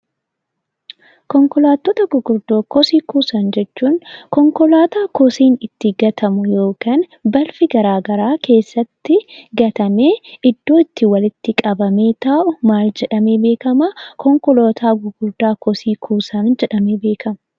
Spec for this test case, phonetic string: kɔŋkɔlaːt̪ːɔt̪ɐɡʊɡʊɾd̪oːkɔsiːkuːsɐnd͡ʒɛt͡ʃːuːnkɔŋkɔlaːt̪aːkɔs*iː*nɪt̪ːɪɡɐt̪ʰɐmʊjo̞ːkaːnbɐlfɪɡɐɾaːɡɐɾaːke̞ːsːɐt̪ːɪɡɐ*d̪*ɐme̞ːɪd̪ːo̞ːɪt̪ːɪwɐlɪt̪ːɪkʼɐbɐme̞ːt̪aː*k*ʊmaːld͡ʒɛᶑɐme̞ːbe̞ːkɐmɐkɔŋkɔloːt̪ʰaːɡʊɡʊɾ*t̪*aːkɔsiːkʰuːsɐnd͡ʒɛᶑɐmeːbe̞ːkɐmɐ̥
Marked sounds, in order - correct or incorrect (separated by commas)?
correct, incorrect, incorrect, incorrect